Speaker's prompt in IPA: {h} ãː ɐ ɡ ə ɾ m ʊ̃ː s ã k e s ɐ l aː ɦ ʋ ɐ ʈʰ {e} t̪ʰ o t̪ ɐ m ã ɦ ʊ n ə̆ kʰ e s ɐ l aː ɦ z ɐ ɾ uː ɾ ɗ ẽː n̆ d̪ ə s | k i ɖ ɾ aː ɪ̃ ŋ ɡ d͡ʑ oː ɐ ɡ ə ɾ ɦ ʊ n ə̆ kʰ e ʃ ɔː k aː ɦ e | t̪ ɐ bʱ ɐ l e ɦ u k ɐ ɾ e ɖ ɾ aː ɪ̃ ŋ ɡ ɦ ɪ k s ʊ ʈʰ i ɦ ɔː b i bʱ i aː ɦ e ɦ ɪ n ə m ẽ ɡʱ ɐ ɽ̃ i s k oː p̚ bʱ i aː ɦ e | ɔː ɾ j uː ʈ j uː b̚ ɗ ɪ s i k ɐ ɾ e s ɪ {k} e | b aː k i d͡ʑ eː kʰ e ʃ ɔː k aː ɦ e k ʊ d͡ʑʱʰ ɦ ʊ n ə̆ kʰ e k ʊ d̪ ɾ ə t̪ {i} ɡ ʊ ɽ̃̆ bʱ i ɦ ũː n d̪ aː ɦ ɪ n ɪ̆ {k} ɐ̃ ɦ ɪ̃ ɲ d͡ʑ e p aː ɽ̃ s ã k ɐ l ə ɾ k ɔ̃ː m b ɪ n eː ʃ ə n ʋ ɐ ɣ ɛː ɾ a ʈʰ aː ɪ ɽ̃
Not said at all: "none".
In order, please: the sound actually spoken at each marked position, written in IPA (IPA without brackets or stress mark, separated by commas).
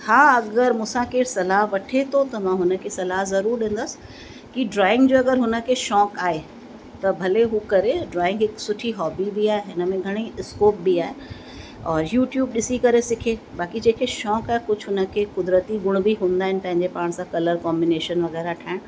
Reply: h, e, kʰ, i, p